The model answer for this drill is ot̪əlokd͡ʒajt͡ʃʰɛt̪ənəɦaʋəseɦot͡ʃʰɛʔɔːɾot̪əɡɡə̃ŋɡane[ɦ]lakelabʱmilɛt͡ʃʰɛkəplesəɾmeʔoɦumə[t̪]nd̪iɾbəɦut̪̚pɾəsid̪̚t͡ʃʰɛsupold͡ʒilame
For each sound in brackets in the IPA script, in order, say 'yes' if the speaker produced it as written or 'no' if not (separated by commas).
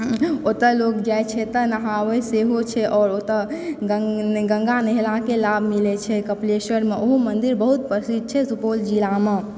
yes, no